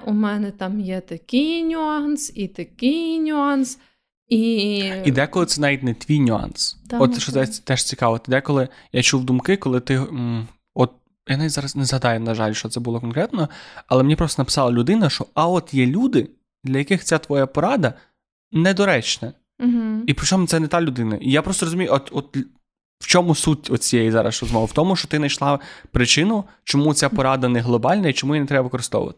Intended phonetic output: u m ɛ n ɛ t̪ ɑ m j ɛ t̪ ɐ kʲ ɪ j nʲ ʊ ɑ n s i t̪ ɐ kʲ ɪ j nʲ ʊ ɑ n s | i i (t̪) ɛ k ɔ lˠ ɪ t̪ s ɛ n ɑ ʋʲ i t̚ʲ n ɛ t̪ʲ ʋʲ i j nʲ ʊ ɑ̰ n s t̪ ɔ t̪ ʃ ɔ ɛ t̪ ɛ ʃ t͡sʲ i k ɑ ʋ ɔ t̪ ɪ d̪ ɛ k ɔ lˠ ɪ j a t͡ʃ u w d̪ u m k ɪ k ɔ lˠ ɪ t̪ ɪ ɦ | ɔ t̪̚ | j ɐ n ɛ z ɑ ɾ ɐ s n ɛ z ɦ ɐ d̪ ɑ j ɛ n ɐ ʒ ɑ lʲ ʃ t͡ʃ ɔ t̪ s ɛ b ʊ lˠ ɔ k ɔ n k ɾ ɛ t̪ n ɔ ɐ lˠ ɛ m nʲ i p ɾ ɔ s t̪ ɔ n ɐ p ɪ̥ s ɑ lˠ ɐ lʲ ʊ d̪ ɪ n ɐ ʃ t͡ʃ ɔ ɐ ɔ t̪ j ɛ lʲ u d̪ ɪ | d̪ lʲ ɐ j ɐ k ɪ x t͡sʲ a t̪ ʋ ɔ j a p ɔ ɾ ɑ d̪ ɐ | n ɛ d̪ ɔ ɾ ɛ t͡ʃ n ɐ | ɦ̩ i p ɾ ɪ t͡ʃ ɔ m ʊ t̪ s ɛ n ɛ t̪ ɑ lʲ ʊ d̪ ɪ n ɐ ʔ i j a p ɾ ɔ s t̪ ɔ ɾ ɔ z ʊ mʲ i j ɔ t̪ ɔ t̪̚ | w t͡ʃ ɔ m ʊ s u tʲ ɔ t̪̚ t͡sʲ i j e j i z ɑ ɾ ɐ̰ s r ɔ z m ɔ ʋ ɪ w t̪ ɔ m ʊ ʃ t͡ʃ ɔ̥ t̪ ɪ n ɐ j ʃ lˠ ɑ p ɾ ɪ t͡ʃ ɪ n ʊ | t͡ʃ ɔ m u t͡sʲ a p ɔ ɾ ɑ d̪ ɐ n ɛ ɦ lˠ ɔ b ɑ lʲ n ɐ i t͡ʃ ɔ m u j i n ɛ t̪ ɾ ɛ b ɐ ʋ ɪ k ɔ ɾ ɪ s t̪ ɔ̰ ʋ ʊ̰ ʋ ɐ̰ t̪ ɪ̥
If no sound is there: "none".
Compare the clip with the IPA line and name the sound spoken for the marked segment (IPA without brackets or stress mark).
d̪